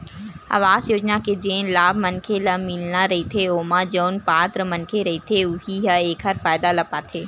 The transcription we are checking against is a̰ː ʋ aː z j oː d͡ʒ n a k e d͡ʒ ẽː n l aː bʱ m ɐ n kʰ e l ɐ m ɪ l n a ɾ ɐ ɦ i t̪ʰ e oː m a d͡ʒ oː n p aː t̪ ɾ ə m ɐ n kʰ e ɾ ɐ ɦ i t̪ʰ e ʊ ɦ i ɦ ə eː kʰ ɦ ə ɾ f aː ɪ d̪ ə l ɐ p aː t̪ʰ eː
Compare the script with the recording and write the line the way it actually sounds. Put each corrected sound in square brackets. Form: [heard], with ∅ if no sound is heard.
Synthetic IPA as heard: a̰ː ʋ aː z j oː d͡ʒ n a k e d͡ʒ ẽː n l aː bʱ m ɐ n kʰ e l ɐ m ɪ l n a ɾ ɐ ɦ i t̪ʰ e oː m a d͡ʒ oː n p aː t̪ ɾ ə m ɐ n kʰ e ɾ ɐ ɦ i t̪ʰ e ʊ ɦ i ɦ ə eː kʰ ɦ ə ɾ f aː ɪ d̪ [a] l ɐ p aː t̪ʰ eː